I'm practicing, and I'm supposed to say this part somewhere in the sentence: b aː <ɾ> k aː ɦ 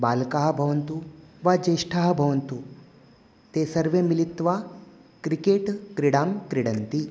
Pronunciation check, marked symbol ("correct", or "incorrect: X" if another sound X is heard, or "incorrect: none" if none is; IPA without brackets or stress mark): incorrect: l